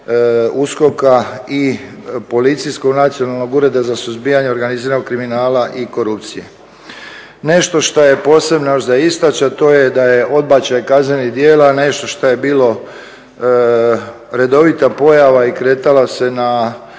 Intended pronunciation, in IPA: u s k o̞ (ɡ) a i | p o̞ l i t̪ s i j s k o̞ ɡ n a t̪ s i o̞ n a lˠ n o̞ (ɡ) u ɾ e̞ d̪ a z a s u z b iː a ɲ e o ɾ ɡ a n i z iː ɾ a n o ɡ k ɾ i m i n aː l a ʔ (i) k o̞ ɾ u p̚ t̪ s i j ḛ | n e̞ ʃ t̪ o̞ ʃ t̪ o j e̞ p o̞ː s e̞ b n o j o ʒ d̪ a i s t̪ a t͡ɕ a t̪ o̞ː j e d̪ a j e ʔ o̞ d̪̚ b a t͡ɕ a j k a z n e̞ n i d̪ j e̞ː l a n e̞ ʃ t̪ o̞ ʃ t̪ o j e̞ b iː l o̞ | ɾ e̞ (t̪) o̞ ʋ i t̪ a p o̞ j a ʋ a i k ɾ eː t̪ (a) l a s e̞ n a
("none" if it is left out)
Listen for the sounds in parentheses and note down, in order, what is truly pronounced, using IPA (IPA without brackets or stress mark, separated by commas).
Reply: k, ɡ, i, d̪, a